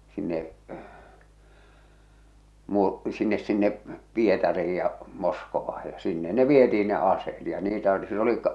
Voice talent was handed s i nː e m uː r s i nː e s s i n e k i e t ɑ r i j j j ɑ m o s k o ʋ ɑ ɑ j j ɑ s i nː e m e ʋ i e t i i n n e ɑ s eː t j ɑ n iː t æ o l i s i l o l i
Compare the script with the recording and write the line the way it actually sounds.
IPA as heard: s i nː e m uː r s i nː e s s i nː e p i e t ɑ r i i j j ɑ m o s k o ʋ ɑ ɑ j j ɑ s i nː e n e ʋ i e t i i n n e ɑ s eː t j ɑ n iː t æ o l i s i l o l i